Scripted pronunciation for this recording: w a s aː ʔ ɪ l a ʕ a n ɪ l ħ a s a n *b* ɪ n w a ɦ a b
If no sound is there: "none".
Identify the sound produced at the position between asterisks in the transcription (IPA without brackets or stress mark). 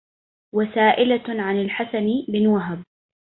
b